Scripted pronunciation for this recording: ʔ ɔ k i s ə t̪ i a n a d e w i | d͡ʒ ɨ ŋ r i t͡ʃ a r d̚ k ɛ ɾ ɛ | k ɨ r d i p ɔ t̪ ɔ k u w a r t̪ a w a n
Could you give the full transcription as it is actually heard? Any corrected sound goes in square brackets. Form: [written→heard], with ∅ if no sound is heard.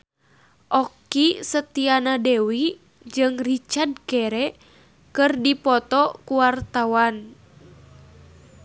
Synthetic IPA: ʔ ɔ k i s ə t̪ i a n a d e w i | d͡ʒ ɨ ŋ r i t͡ʃ a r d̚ k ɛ ɾ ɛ | k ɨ r d i p ɔ t̪ ɔ k u w a r t̪ a w a n

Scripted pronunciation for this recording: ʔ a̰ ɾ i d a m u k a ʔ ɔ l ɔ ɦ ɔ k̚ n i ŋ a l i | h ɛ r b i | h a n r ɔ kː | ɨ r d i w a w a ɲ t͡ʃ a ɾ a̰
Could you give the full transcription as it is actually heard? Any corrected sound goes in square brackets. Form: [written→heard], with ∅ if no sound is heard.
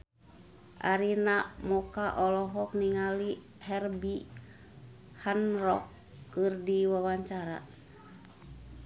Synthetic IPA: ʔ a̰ ɾ i [d→n] a m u k a ʔ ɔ l ɔ ɦ ɔ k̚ n i ŋ a l i | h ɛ r b i | h a n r ɔ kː | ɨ r d i w a w a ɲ t͡ʃ a ɾ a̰

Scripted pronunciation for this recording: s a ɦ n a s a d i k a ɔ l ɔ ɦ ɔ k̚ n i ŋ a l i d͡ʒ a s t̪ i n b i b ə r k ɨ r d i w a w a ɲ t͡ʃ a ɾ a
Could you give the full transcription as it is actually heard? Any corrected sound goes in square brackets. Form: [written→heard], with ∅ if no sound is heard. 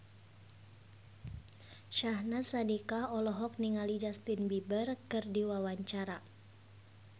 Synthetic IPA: [s→ʃ] a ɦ n a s a d i k a ɔ l ɔ ɦ ɔ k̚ n i ŋ a l i d͡ʒ a s t̪ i n b i b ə r k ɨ r d i w a w a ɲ t͡ʃ a ɾ a

